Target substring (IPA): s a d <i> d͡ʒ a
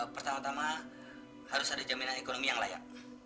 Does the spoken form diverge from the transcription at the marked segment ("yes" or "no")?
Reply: yes